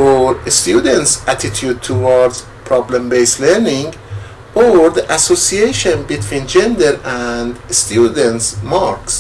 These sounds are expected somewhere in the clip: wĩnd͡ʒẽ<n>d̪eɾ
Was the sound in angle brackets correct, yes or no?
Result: yes